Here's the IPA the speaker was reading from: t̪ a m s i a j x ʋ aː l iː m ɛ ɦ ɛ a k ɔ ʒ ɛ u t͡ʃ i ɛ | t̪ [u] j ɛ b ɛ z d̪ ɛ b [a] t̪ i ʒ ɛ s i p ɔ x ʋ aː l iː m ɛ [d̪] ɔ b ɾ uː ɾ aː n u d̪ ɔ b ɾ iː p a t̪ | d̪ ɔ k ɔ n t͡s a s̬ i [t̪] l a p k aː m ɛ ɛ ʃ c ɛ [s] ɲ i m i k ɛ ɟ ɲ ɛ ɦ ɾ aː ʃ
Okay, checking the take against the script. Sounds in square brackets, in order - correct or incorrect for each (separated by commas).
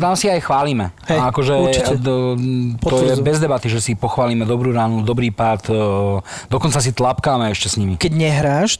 incorrect, correct, correct, correct, correct